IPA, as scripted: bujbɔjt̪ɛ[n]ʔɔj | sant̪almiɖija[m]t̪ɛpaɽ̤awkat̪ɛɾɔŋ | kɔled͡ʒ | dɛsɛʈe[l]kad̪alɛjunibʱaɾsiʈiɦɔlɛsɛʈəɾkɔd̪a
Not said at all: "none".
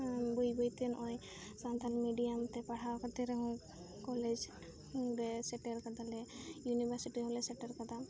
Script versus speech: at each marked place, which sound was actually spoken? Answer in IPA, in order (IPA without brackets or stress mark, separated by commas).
n, m, ɾ